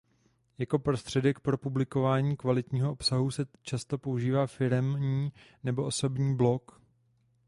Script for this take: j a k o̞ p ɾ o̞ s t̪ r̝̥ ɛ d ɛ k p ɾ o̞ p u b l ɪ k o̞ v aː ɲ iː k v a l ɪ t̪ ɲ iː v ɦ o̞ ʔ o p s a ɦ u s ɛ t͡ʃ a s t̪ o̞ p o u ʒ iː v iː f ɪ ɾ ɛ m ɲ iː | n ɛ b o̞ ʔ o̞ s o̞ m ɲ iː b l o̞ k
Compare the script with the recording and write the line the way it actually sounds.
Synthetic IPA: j a k o̞ p ɾ o̞ s t̪ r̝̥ ɛ d ɛ k p ɾ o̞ p u b l ɪ k o̞ v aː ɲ iː k v a l ɪ t̪ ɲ iː ɦ o̞ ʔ o p s a ɦ u s ɛ t͡ʃ a s t̪ o̞ p o u ʒ iː v aː f ɪ ɾ ɛ m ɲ iː | n ɛ b o̞ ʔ o̞ s o̞ b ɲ iː b l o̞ k